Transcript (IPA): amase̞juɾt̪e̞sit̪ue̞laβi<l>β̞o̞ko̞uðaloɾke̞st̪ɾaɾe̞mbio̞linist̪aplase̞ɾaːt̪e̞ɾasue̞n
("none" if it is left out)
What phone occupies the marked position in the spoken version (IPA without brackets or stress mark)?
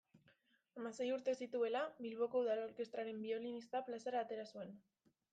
l